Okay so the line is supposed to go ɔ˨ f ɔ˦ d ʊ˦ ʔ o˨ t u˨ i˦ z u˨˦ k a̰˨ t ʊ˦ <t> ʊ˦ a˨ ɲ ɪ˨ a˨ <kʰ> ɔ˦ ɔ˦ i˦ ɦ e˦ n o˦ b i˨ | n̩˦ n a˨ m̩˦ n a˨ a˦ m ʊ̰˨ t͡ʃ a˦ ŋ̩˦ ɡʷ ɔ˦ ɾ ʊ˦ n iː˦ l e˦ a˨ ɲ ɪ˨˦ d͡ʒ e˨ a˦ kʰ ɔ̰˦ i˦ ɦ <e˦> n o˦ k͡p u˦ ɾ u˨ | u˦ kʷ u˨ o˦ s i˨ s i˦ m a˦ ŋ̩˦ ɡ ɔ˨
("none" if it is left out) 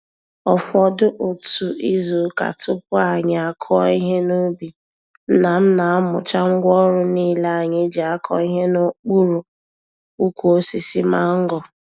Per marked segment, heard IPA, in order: p, kʰ, e˦

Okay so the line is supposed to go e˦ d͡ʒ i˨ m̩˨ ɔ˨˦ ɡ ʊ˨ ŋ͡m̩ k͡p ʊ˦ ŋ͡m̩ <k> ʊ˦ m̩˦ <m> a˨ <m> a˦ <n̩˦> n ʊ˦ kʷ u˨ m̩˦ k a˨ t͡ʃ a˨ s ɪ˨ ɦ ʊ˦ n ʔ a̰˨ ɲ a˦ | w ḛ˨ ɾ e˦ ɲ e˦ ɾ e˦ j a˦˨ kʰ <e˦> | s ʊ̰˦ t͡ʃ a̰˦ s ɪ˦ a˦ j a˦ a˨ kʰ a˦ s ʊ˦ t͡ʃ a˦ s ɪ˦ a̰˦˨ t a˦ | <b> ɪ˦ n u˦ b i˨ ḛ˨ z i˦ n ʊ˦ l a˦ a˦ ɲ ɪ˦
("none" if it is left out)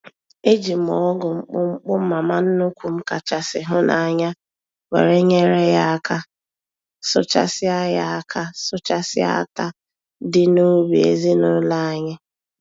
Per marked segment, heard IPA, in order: k͡p, m, m, n̩˦, a˦, d

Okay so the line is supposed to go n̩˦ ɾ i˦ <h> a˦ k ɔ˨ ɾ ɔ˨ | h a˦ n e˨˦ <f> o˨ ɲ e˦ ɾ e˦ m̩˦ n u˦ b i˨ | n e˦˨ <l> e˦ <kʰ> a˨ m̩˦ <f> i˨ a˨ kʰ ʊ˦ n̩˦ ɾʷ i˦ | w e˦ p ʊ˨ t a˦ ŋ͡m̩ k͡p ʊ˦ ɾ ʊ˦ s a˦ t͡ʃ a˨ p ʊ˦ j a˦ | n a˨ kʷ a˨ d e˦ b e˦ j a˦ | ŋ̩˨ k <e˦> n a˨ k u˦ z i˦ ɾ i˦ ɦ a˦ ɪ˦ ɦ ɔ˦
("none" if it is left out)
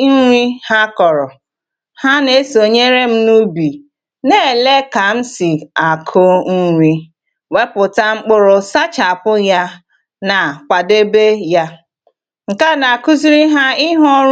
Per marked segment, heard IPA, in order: h, s, l, k, s, a˦

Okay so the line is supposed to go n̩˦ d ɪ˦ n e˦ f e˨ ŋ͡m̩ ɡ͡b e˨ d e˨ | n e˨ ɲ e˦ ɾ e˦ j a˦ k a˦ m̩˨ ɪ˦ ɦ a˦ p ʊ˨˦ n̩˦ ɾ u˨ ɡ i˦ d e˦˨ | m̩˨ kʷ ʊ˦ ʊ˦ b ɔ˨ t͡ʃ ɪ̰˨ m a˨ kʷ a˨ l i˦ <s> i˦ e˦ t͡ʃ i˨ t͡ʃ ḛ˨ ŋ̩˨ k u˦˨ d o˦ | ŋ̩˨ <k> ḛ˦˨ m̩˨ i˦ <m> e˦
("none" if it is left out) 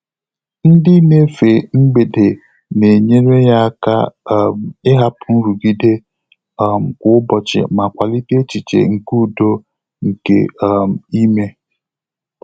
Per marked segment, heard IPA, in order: t, k, m

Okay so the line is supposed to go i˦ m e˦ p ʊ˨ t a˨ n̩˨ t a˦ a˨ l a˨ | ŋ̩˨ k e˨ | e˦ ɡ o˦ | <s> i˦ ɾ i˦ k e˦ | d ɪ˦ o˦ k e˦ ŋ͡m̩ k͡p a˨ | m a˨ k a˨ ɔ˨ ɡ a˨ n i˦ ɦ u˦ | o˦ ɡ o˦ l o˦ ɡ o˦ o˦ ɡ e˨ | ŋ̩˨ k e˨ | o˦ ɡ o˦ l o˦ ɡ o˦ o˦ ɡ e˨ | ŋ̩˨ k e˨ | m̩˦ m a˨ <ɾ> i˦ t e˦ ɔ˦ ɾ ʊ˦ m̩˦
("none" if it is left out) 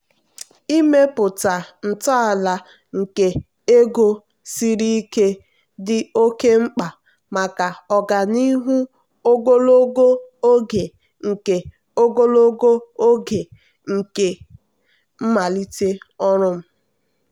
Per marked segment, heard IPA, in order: s, l

